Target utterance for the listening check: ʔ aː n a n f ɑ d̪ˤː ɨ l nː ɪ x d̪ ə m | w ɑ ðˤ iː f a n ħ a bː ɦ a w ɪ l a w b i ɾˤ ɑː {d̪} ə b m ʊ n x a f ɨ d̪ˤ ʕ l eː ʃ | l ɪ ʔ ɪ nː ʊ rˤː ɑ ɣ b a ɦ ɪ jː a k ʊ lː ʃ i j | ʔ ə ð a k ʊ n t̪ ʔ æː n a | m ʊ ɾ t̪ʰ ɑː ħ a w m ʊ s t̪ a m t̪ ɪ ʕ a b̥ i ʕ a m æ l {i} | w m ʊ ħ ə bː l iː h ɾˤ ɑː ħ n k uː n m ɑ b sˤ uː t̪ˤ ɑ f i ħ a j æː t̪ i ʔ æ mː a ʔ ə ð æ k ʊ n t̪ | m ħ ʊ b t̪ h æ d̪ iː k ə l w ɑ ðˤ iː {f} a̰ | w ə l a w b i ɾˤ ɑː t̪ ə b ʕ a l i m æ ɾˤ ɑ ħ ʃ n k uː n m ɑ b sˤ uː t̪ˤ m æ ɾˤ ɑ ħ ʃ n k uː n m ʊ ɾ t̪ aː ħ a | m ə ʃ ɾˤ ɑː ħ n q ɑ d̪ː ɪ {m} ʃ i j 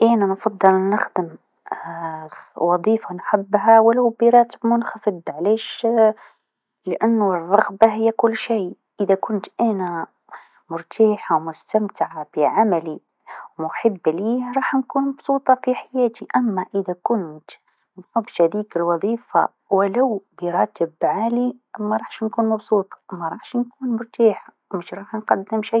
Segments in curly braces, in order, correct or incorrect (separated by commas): incorrect, correct, correct, correct